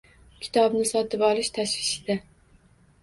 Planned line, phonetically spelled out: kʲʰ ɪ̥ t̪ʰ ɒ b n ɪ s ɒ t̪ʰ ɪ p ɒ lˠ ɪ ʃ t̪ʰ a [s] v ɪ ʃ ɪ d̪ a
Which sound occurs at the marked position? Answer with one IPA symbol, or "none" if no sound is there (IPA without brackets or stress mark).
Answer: ʃ